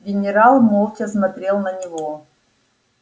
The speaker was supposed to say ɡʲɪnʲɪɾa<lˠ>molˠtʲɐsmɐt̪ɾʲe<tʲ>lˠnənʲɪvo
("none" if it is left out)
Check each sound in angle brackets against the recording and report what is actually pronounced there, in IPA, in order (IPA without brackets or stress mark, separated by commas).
lˠ, none